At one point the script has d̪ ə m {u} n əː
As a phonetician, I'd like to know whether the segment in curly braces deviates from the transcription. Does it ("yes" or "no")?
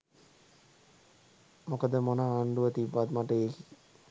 yes